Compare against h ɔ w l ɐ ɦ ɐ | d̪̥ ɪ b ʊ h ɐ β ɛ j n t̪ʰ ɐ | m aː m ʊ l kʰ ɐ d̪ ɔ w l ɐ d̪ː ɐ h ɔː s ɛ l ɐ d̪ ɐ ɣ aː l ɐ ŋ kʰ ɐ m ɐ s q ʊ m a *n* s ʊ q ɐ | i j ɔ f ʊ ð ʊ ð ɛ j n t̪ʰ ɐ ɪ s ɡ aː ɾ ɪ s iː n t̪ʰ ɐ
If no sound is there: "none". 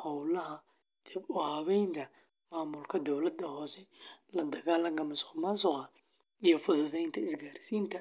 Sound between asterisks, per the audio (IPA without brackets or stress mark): n